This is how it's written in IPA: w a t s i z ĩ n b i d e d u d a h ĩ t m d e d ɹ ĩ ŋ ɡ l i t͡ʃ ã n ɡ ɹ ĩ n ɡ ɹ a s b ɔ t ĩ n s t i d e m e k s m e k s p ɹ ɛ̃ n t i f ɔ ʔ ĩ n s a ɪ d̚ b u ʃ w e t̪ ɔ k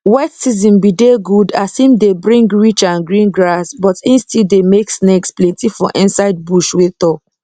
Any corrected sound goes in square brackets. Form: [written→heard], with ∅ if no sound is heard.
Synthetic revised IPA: w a t s i z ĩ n b i d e [d→ɡ] u d a [h→s] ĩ [t→∅] m d e [d→b] ɹ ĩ ŋ ɡ [l→ɹ] i t͡ʃ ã n ɡ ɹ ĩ n ɡ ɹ a s b ɔ t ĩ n s t i d e m e k s [m→n] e k s p [ɹ→l] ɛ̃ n t i f ɔ ʔ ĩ n s a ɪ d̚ b u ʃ w e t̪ ɔ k